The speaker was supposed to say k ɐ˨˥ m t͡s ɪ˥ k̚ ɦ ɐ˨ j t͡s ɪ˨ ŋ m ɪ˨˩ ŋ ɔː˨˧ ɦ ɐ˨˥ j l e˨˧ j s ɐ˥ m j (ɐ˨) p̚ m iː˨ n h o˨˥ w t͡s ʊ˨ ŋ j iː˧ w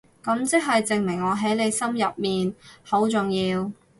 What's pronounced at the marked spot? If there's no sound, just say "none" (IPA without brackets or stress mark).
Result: ɐ˨